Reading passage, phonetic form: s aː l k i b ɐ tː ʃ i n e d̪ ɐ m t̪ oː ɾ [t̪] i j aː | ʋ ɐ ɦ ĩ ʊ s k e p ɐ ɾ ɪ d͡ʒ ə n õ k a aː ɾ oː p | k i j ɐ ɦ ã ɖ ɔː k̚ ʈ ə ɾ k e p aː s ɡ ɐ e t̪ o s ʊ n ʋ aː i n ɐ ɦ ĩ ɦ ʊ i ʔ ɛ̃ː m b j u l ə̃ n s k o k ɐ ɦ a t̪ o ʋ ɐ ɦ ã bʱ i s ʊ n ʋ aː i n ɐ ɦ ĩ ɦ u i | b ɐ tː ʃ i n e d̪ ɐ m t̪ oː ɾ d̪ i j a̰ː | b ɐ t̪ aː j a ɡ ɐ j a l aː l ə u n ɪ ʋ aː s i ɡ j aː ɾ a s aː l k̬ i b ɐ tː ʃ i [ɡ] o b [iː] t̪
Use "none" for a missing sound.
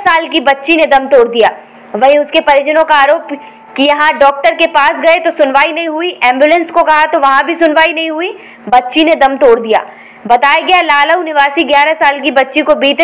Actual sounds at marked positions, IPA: d̪, k, iː

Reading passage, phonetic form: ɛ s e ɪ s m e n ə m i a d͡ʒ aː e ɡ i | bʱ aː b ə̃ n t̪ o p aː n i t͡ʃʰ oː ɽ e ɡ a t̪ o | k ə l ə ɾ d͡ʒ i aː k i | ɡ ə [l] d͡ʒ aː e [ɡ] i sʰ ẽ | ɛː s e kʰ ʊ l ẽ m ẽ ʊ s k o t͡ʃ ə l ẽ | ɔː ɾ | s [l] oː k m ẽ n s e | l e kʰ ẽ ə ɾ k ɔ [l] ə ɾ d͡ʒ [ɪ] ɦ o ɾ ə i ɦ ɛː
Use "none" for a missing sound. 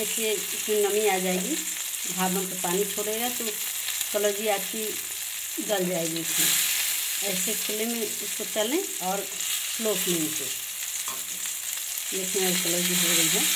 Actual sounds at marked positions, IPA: l, ɡ, l, l, i

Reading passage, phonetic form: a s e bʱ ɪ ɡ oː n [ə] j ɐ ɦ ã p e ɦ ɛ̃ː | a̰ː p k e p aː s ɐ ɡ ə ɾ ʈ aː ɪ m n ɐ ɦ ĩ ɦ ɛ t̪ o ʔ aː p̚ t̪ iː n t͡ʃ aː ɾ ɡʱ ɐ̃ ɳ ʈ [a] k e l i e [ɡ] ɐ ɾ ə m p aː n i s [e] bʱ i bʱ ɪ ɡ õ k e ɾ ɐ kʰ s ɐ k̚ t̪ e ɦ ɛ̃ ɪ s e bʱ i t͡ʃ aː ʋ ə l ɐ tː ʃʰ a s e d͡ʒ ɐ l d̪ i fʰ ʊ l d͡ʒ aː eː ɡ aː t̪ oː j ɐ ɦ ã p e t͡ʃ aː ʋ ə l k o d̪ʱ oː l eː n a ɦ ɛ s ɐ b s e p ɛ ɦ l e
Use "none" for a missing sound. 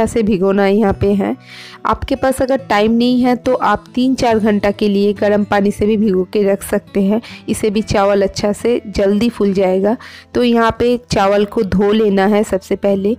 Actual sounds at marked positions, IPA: a, a, ɡ, e

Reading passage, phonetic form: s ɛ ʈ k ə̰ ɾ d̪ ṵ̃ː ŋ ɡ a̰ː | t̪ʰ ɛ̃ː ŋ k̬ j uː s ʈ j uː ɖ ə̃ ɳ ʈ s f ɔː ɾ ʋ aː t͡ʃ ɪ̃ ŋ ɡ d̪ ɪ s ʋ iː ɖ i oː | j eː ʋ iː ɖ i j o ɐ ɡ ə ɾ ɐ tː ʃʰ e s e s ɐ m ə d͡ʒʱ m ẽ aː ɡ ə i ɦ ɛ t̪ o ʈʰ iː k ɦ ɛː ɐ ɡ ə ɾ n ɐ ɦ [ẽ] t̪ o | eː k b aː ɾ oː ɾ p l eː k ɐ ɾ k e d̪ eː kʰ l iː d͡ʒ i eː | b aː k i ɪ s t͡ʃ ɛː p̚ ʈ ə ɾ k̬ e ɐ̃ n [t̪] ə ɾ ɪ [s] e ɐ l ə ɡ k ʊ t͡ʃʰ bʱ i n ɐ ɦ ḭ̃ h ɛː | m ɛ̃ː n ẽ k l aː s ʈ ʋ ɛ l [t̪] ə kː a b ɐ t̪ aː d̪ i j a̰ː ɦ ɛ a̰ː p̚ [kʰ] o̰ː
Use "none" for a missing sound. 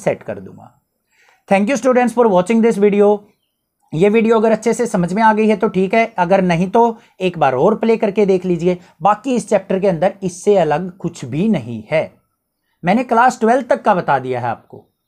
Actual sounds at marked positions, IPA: ĩ, d̪, sː, t̪, k

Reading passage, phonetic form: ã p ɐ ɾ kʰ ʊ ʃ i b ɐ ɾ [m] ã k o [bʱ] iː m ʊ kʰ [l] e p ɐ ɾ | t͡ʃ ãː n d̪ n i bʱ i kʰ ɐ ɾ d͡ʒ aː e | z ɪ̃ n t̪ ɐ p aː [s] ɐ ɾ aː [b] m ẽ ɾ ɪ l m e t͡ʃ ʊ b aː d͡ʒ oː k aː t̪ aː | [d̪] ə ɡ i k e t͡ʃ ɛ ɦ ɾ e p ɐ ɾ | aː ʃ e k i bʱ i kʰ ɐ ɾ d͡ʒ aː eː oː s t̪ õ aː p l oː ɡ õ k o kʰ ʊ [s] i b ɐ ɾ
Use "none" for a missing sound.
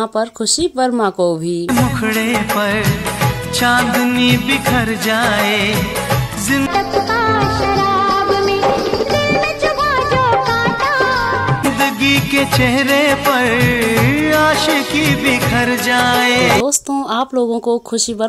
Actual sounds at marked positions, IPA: m, bʱ, ɽ, ʃ, b, d̪, ʃ

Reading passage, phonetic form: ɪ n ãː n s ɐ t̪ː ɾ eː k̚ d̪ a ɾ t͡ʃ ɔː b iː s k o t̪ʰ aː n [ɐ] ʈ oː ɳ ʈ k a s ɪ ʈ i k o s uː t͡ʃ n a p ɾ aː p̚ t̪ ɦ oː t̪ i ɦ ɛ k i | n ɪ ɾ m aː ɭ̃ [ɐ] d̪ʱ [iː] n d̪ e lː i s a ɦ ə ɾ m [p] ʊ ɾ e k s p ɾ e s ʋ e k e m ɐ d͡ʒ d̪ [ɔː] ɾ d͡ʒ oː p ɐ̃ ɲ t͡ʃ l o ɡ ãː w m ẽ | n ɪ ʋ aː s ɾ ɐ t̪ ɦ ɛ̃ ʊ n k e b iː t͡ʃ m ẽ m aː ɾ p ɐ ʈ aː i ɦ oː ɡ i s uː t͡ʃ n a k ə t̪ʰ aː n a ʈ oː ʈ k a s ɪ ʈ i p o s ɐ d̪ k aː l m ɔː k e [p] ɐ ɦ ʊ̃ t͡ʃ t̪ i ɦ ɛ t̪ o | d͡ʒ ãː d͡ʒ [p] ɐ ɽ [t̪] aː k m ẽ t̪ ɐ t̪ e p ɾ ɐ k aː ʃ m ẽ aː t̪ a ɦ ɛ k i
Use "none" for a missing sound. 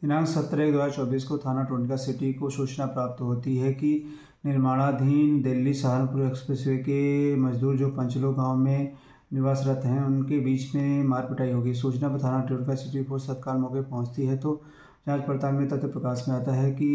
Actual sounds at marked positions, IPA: a, a, iː, p, uː, p, p, t̪

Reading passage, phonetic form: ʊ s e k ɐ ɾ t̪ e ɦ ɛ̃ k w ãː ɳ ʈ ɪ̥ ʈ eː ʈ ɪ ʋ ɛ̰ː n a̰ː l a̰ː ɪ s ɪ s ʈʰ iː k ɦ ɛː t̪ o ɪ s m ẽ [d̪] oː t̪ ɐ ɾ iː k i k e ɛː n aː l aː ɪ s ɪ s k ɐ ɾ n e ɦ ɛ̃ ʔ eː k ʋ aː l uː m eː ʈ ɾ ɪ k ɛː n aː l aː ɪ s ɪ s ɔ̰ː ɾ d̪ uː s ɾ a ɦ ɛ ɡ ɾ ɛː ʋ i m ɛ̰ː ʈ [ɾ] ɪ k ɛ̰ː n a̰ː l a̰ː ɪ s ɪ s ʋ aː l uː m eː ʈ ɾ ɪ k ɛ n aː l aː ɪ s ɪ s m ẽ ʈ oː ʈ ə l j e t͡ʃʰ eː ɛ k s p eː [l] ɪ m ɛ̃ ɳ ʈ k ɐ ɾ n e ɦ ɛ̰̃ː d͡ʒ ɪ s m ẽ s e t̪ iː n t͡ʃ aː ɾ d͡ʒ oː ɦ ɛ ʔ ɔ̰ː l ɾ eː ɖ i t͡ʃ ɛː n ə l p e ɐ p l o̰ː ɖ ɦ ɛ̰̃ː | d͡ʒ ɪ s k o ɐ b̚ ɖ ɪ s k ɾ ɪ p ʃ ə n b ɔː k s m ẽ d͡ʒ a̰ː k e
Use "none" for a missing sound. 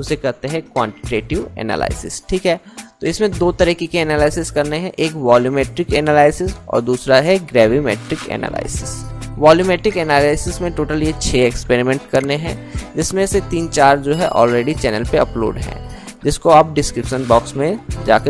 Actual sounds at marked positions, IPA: d̪, ɾ, ɾ

